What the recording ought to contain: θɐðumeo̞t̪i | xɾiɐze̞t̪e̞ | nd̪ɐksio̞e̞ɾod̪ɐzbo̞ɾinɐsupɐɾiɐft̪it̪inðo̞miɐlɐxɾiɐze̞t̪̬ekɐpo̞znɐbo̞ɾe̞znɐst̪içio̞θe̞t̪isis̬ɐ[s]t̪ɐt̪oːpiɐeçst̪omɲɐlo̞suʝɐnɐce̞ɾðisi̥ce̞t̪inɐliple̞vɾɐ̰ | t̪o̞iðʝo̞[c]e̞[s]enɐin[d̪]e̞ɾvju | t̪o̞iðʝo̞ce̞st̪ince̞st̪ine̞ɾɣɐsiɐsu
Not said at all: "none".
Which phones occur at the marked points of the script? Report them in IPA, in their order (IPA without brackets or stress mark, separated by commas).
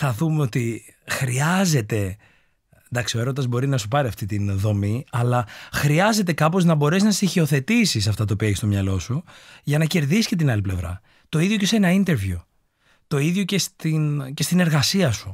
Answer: f, c, s, t̪